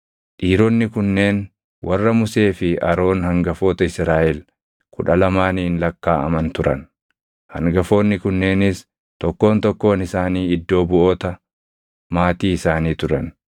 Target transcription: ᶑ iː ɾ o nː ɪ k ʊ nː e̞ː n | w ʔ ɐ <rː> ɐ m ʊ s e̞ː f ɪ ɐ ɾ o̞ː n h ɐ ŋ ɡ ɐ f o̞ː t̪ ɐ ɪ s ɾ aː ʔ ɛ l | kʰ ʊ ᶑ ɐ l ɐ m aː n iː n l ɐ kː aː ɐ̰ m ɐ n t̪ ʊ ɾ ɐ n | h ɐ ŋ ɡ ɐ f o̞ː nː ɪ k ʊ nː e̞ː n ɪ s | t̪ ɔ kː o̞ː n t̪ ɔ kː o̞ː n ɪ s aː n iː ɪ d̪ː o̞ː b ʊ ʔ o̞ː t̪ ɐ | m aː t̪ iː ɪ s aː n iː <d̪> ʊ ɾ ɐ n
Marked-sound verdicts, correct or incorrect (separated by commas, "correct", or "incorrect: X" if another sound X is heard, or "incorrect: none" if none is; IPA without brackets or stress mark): correct, incorrect: t̪